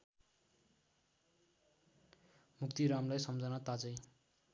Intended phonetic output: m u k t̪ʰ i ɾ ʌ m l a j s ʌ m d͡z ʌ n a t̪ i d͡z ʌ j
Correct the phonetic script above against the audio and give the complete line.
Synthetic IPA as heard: m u k t̪ i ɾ a m l a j s ʌ m d͡z ʌ n a t̪ a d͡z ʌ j